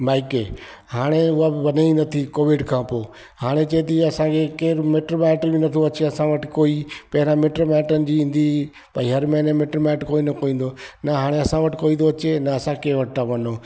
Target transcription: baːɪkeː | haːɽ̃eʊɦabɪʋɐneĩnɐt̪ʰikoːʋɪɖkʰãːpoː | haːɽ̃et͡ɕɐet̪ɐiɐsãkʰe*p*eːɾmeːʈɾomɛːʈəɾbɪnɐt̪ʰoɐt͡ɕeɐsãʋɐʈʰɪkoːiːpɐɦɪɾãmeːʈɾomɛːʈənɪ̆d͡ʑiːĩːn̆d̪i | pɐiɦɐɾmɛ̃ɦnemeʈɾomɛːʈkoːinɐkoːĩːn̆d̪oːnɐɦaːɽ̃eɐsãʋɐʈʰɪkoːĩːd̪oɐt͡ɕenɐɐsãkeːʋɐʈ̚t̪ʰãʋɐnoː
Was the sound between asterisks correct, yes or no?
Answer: no